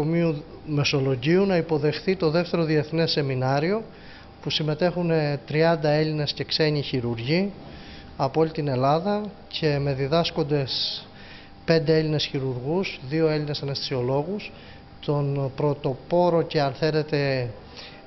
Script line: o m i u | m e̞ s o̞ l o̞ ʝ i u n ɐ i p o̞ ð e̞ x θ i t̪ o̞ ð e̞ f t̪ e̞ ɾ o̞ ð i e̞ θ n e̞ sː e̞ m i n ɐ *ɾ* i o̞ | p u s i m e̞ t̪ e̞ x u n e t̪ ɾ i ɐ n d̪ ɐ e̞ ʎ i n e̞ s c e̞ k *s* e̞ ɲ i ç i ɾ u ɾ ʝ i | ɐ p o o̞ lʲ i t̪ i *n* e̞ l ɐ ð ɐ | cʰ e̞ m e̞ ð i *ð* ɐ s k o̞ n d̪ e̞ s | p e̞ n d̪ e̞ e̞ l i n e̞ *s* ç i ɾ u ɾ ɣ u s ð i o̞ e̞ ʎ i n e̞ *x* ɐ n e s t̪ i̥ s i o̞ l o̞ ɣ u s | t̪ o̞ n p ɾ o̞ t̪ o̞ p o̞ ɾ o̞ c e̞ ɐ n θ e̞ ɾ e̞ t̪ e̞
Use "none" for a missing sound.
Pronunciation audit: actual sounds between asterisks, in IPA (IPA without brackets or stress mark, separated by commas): ɾ, s, n, ð, s, s